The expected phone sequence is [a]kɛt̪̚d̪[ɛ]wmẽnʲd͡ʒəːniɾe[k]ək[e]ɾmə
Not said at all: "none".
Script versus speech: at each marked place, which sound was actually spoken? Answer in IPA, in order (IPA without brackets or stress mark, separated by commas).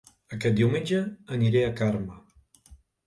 ə, i, none, a